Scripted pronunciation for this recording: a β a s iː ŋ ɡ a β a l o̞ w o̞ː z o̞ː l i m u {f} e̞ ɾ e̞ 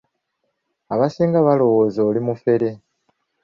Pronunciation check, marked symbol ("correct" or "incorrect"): correct